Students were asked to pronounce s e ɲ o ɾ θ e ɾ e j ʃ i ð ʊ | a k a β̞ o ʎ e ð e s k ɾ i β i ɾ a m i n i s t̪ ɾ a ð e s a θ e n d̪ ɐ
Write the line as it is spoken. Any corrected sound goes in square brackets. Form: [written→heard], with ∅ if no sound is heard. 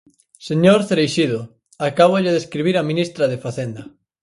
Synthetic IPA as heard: s e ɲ o ɾ θ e ɾ e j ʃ i ð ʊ | a k a β̞ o ʎ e ð e s k ɾ i β i ɾ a m i n i s t̪ ɾ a ð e [s→f] a θ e n d̪ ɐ

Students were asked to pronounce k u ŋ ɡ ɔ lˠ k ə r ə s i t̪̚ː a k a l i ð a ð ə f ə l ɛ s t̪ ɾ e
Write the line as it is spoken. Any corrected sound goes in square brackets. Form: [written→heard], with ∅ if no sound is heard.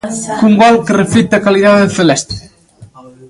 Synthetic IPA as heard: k u ŋ ɡ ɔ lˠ k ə r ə [s→f] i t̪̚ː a k a l i ð a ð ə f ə l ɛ s t̪ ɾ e

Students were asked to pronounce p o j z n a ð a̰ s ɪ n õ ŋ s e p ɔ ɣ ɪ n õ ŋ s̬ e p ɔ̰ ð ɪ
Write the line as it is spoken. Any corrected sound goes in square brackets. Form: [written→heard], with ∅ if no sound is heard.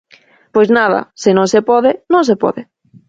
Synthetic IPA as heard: p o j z n a ð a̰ s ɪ n õ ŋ s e p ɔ [ɣ→ð] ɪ n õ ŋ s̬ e p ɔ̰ ð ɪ

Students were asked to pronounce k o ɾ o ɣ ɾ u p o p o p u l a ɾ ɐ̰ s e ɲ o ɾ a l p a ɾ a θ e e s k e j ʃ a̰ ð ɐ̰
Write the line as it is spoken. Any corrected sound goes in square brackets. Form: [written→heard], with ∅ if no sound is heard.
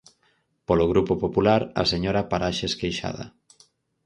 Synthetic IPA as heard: [k→p] o [ɾ→l] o ɣ ɾ u p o p o p u l a ɾ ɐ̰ s e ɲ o ɾ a [l→∅] p a ɾ a [θ→ʃ] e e s k e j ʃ a̰ ð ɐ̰

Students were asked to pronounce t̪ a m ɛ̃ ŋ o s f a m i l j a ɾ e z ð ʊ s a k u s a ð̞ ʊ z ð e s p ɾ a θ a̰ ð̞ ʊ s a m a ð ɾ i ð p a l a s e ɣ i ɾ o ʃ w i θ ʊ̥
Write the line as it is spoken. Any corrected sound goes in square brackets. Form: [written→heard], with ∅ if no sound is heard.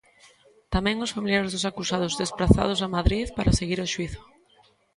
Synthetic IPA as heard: t̪ a m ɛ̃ ŋ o s f a m i l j a ɾ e z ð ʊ s a k u s a ð̞ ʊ z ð e s p ɾ a θ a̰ ð̞ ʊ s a m a ð ɾ i ð p a [l→ɾ] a s e ɣ i ɾ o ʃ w i θ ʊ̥

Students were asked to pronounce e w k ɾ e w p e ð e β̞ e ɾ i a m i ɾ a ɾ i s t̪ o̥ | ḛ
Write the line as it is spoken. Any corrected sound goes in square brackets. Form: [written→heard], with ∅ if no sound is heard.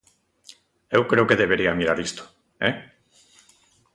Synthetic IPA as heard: e w k ɾ e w [p→k] e ð e β̞ e ɾ i a m i ɾ a ɾ i s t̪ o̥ | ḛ

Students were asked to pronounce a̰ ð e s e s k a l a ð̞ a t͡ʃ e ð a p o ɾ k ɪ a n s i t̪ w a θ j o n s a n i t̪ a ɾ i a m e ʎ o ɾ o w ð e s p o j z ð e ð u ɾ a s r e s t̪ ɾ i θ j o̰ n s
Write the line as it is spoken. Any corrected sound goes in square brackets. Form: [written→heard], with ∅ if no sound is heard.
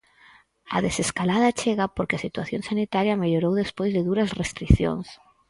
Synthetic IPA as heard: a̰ ð e s e s k a l a ð̞ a t͡ʃ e [ð→ɣ] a p o ɾ k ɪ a [n→∅] s i t̪ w a θ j o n s a n i t̪ a ɾ [i→j] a m e ʎ o ɾ o w ð e s p o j z ð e ð u ɾ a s r e s t̪ ɾ i θ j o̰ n s

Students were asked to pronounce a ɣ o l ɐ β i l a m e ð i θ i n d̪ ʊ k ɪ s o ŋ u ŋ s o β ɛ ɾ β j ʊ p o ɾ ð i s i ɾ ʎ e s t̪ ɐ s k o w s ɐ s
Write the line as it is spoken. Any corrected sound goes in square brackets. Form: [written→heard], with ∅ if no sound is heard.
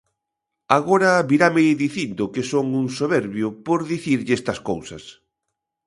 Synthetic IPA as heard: a ɣ o [l→ɾ] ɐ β i [l→ɾ] a m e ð i θ i n d̪ ʊ k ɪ s o ŋ u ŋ s o β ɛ ɾ β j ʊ p o ɾ ð i [s→θ] i ɾ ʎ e s t̪ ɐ s k o w s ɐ s

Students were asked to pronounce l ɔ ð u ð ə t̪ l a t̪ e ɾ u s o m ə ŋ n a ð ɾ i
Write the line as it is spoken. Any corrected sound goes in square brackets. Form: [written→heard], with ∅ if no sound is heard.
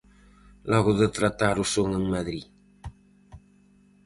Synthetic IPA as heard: l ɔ [ð→ɣ] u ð ə t̪ [l→ɾ] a t̪ [e→a] ɾ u s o [m→ŋ] ə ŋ [n→m] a ð ɾ i

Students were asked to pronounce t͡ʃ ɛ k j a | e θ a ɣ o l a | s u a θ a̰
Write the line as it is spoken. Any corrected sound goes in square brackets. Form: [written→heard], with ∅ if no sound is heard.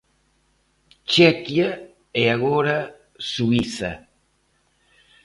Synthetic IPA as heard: t͡ʃ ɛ k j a | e [θ→∅] a ɣ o [l→ɾ] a | s u [a→i] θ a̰

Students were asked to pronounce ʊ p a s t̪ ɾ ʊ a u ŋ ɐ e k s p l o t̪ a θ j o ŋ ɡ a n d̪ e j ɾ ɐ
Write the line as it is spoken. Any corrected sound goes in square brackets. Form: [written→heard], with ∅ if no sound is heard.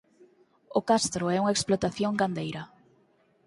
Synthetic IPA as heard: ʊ [p→k] a s t̪ ɾ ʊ [a→ɛ] u ŋ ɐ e k s p l o t̪ a θ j o ŋ ɡ a n d̪ e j ɾ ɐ

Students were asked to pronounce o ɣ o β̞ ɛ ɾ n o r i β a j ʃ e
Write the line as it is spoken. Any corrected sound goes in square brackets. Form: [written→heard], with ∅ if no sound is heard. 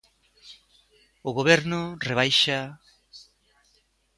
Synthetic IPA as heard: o ɣ o β̞ [ɛ→e] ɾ n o r [i→e] β a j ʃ [e→a]

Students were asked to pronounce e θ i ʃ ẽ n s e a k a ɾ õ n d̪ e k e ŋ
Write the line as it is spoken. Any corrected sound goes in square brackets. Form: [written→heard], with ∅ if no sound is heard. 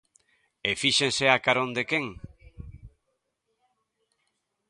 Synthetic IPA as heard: e [θ→f] i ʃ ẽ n s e a k a ɾ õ n d̪ e k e ŋ

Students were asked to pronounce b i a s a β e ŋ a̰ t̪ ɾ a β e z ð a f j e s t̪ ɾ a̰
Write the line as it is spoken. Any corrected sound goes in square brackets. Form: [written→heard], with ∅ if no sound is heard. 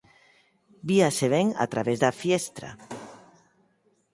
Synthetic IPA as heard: b i a s [a→e] β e ŋ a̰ t̪ ɾ a β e z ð a f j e s t̪ ɾ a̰

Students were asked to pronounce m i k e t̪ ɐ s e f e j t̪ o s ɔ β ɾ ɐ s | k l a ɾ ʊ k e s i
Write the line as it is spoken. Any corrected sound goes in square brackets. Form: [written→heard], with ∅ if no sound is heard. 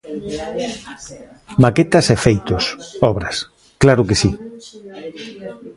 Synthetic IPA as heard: m [i→a] k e t̪ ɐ s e f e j t̪ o s ɔ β ɾ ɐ s | k l a ɾ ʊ k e s i

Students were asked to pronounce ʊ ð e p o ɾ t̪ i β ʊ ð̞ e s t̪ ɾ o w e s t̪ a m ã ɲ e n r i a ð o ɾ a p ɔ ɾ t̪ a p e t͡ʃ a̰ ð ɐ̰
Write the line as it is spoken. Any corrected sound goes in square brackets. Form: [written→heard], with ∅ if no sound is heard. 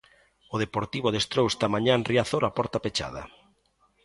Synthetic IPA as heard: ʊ ð e p o ɾ t̪ i β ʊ ð̞ e s t̪ ɾ o w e s t̪ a m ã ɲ [e→a] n r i a [ð→θ] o ɾ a p ɔ ɾ t̪ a p e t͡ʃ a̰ ð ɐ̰

